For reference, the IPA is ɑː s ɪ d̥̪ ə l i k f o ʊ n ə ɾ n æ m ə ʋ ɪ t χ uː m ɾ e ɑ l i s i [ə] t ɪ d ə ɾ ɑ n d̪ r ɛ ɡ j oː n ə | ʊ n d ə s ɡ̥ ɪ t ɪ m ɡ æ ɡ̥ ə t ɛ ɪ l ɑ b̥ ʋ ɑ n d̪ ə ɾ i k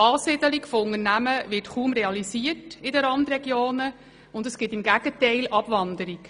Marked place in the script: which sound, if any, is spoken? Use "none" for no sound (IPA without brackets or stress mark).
ə